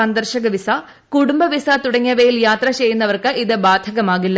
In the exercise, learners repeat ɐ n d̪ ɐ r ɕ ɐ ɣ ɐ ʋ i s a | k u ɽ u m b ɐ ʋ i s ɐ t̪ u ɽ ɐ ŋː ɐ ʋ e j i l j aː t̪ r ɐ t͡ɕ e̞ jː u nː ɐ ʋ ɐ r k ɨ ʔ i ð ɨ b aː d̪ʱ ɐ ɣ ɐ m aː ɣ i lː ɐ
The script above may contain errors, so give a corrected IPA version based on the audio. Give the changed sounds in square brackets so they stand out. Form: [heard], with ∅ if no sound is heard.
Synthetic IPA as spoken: ɐ n d̪ ɐ r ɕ ɐ ɣ ɐ ʋ i s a | k u ɽ u m b ɐ ʋ i s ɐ t̪ u ɽ ɐ ŋː ɐ ʋ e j i l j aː t̪ r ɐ t͡ɕ e̞ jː u nː ɐ ʋ ɐ r k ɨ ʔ i ð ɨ b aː d̪ʱ ɐ ɣ ɐ m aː ɣ i lː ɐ